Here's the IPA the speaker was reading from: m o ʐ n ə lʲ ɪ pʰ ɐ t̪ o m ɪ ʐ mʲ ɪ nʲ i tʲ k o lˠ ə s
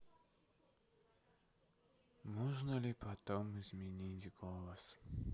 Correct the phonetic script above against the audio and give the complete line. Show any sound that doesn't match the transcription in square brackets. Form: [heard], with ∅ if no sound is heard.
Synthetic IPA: m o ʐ n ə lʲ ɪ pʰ ɐ t̪ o m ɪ [z] mʲ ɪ nʲ i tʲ [ɡ] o lˠ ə s